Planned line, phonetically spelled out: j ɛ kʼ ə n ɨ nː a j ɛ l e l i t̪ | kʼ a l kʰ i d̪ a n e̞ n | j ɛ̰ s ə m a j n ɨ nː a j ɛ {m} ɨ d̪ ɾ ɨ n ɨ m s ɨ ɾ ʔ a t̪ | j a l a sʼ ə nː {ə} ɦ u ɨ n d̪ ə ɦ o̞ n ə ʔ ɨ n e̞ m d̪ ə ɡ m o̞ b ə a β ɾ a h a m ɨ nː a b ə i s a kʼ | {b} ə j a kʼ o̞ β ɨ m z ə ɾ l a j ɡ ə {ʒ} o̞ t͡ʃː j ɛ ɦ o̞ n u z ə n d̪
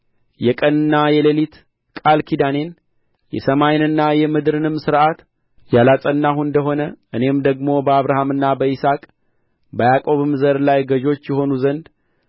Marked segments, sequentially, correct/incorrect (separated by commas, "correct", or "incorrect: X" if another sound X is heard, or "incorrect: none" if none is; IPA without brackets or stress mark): correct, incorrect: a, correct, correct